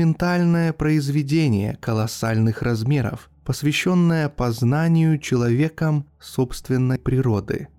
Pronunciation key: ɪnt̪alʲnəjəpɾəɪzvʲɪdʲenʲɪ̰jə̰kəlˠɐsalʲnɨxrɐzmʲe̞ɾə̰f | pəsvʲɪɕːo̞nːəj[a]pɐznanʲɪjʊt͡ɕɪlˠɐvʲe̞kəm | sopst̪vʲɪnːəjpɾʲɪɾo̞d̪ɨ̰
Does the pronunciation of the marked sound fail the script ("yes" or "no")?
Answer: yes